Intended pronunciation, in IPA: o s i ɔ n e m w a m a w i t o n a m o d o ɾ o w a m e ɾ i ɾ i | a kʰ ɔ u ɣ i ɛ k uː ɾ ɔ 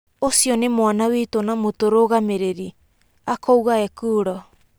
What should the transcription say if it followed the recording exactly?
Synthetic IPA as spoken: o s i ɔ n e m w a n a w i t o n a m o t o ɾ o ɣ a m e ɾ e ɾ i | a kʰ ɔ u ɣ a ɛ k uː ɾ ɔ